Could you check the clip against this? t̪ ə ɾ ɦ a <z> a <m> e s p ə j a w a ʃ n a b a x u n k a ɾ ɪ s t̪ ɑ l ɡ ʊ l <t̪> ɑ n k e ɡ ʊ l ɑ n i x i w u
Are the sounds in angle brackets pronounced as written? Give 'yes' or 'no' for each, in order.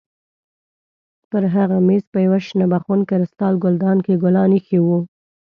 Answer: no, yes, no

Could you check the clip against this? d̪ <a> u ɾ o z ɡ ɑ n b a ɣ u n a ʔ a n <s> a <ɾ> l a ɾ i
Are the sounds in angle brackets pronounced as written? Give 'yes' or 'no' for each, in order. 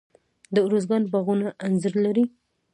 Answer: no, no, yes

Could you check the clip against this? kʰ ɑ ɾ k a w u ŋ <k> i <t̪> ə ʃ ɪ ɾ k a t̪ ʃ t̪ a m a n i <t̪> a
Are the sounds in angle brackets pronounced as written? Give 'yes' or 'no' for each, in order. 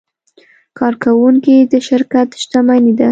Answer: yes, no, no

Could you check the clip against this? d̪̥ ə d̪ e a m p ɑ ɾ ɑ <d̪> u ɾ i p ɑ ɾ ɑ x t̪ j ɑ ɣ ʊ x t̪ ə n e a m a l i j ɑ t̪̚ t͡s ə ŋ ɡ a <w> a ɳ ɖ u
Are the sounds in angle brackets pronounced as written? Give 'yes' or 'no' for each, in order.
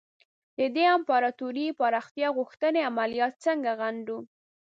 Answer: no, no

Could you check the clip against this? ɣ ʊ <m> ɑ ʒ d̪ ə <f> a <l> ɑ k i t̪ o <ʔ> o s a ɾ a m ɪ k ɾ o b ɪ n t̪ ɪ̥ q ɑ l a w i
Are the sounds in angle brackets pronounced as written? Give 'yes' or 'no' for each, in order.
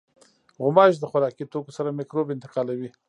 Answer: yes, no, no, no

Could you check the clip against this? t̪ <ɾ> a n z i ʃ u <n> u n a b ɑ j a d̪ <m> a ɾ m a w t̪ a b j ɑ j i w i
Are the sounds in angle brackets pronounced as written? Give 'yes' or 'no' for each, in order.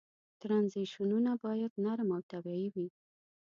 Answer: yes, yes, no

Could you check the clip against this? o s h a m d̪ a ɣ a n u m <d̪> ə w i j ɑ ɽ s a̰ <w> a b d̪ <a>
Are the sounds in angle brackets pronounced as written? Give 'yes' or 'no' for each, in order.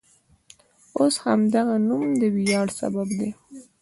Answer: yes, no, no

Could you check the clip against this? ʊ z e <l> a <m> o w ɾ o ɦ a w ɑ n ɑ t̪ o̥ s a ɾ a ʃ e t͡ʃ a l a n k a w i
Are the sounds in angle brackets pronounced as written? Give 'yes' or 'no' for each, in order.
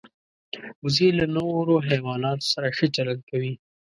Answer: yes, no

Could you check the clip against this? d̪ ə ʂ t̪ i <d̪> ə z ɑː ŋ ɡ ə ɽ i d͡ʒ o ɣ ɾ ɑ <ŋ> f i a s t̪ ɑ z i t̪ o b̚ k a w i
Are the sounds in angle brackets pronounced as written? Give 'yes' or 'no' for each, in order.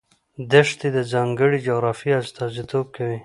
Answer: yes, no

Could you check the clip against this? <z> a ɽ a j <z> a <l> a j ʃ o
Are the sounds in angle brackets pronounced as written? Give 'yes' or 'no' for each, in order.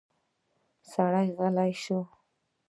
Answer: no, no, yes

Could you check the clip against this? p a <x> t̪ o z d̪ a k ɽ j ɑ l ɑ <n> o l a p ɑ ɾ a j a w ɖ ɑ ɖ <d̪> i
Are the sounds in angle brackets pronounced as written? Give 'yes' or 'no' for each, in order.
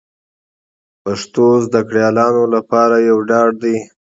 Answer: no, yes, yes

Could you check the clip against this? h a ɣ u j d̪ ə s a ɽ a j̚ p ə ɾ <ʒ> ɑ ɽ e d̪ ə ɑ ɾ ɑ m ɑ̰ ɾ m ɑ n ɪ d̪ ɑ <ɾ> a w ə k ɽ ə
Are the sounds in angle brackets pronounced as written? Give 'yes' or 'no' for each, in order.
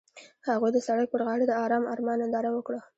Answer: no, yes

